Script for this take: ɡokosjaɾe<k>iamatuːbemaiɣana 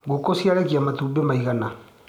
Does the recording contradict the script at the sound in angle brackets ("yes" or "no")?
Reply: no